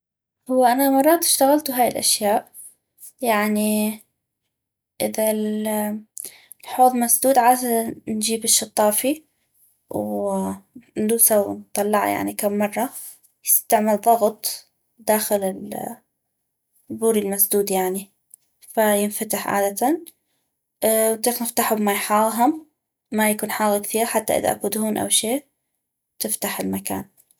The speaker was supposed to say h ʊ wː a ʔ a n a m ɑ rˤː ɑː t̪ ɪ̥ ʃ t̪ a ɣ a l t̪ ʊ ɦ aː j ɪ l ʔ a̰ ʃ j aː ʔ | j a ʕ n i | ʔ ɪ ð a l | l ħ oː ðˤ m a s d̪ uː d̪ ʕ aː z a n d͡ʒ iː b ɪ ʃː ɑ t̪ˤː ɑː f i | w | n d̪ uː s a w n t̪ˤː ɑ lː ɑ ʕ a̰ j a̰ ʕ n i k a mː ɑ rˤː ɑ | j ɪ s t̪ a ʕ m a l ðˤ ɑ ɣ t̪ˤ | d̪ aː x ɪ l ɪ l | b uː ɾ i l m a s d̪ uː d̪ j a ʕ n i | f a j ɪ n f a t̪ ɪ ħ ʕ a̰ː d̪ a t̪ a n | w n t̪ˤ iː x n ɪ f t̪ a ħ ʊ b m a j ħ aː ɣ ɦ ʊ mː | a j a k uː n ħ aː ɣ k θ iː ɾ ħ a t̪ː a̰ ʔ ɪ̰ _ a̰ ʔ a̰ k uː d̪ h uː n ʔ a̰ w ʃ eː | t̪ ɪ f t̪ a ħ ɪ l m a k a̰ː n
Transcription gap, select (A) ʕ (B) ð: B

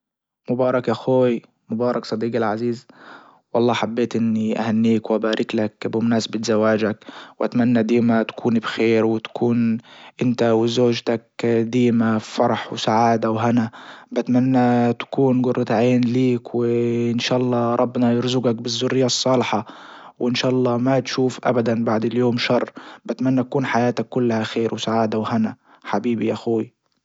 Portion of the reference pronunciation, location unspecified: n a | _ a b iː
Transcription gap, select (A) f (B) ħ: B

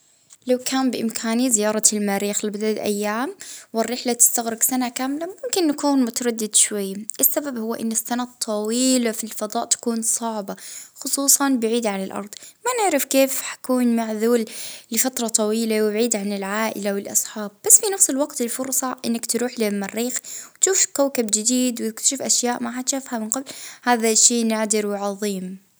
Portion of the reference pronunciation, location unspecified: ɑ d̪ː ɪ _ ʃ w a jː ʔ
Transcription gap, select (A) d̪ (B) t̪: A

